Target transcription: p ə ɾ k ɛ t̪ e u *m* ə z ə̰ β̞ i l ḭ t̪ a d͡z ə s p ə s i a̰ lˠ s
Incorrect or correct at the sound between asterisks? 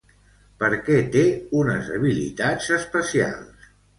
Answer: incorrect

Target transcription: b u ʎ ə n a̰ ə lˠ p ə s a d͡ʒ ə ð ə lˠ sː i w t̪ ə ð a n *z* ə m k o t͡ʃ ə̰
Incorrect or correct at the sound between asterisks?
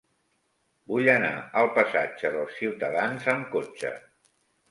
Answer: correct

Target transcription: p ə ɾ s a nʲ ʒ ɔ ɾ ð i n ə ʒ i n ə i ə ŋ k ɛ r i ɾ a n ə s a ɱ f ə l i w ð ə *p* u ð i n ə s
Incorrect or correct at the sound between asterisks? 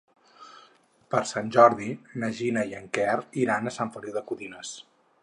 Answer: incorrect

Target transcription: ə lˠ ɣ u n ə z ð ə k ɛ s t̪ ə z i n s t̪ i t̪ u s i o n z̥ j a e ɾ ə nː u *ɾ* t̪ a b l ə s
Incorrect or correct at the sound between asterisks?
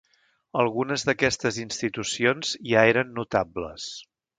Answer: incorrect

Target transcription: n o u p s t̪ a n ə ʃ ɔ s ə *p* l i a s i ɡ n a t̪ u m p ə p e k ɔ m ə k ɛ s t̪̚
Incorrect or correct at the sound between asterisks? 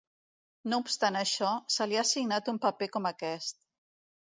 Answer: incorrect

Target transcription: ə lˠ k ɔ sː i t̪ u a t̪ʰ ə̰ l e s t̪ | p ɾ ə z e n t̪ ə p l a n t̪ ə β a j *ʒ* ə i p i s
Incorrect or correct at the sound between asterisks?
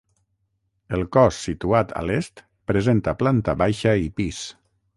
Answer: incorrect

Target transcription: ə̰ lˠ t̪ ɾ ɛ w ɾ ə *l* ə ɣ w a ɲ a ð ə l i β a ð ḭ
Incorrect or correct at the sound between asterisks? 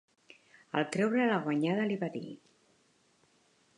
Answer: correct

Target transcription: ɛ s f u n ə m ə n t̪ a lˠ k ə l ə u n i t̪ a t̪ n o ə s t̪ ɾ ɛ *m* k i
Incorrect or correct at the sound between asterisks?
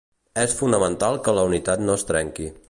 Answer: incorrect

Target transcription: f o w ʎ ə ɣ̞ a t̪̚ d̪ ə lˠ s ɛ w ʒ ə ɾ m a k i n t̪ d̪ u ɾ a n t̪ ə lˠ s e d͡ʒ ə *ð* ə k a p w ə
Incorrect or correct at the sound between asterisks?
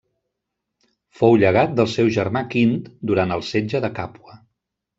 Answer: correct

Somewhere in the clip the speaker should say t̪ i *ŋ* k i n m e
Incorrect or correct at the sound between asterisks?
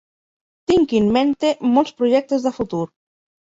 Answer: correct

